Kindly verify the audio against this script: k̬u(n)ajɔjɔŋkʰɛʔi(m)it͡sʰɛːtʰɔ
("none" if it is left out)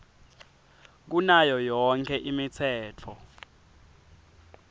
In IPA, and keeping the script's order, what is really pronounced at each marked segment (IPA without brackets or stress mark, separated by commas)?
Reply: n, m